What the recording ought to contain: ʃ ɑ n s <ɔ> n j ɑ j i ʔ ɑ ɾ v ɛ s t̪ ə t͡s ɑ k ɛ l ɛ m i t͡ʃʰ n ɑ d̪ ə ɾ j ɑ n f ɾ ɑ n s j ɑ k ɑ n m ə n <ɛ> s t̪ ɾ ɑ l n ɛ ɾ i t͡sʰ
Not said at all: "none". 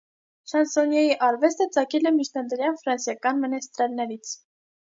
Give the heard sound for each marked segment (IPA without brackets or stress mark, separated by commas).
ɔ, ɛ